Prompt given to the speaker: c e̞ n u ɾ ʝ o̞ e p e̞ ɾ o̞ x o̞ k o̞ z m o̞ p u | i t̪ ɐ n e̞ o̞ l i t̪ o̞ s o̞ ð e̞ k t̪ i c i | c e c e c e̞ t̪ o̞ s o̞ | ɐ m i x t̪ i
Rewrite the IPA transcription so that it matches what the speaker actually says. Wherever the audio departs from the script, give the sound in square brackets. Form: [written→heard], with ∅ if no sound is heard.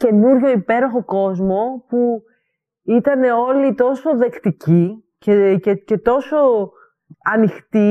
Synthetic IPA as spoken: c e̞ n u ɾ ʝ o̞ [e→i] p e̞ ɾ o̞ x o̞ k o̞ z m o̞ p u | i t̪ ɐ n e̞ o̞ l i t̪ o̞ s o̞ ð e̞ k t̪ i c i | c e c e c e̞ t̪ o̞ s o̞ | ɐ [m→n] i x t̪ i